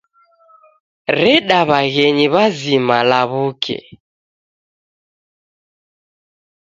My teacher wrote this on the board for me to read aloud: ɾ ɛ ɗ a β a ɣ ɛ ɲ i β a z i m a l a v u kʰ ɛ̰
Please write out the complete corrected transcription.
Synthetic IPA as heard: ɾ ɛ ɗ a β a ɣ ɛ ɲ i β a z i m a l a β u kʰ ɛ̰